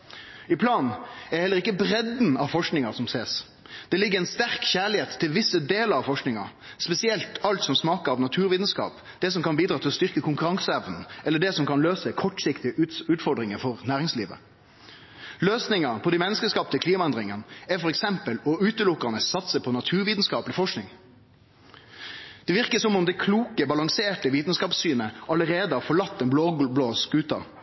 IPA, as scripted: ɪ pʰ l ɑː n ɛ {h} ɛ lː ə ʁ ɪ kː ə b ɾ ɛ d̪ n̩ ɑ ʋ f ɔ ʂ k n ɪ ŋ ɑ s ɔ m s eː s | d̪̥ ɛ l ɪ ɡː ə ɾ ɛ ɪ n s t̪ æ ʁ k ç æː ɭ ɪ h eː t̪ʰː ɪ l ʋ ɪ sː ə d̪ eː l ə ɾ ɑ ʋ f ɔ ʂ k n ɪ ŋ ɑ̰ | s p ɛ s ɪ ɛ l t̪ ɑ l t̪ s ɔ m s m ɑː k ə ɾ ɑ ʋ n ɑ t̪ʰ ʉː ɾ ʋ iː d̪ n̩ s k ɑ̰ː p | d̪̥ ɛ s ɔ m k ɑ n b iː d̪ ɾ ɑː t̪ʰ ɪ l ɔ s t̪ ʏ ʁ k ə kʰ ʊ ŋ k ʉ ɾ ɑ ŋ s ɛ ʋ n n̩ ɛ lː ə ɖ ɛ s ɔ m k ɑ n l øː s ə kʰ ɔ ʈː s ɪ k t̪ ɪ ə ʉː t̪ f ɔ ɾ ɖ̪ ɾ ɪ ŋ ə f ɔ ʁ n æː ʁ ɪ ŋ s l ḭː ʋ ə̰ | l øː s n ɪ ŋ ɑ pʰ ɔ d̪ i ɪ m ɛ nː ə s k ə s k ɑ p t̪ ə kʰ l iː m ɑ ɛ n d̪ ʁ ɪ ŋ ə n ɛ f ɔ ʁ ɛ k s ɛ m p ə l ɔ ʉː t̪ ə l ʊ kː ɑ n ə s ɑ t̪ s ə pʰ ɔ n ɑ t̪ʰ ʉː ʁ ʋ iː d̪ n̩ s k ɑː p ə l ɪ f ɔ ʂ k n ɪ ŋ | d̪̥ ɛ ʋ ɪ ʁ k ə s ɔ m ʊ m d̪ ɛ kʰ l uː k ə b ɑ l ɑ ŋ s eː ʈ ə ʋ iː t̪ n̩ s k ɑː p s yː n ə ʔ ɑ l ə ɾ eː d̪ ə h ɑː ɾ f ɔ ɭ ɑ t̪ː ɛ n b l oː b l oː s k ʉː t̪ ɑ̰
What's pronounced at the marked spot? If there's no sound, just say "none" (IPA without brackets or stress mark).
h